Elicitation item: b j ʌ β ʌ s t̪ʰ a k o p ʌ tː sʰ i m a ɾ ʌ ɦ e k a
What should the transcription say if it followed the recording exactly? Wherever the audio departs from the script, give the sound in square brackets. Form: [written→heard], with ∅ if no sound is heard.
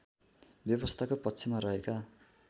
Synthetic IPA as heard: b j ʌ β ʌ s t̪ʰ a k o p ʌ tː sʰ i m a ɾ ʌ ɦ e k a